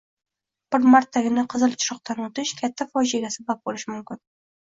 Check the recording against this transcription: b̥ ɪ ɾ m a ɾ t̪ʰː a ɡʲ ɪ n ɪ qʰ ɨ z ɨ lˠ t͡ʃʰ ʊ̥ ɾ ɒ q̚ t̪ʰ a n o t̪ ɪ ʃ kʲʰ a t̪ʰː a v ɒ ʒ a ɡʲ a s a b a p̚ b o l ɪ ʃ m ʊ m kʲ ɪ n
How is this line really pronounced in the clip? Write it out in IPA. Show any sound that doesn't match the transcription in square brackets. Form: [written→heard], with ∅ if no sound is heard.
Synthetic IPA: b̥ ɪ ɾ m a ɾ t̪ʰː a ɡʲ ɪ n ɪ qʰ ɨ z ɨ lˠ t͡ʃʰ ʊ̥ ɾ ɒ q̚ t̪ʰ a n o t̪ ɪ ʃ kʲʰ a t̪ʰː a [v→f] ɒ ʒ a ɡʲ a s a b a p̚ b o l ɪ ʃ m ʊ m kʲ ɪ n